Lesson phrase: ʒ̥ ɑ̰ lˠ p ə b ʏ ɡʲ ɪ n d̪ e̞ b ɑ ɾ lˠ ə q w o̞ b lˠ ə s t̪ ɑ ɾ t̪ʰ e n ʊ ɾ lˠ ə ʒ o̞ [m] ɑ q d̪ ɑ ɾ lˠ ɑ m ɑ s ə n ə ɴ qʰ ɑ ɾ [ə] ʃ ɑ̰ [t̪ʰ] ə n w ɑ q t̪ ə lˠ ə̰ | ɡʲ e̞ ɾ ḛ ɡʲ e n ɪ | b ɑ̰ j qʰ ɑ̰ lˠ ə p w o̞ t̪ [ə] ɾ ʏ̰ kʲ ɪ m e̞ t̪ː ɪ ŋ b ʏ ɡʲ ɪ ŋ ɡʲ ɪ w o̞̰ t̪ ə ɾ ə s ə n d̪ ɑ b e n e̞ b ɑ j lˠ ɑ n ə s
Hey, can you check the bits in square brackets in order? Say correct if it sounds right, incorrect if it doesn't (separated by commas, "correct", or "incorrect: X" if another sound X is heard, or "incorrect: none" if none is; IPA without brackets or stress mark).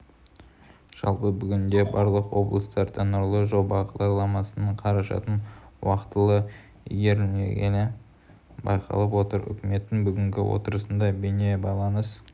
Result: incorrect: b, incorrect: ɑ, incorrect: t̪, correct